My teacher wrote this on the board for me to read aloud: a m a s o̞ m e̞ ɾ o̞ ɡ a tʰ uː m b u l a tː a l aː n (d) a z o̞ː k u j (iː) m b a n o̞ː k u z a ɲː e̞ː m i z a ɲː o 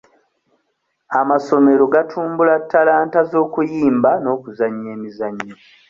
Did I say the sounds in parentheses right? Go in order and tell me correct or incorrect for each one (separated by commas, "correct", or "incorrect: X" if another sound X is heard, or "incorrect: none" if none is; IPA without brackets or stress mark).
incorrect: t, correct